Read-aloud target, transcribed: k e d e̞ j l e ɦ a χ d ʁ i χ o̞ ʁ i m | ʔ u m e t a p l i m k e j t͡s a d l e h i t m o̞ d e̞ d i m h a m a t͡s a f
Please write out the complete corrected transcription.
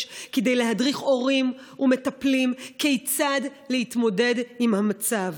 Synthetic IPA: k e d e̞ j l e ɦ a d ʁ i χ o̞ ʁ i m | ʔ u m e t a p l i m k e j t͡s a d l e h i t m o̞ d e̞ d i m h a m a t͡s a v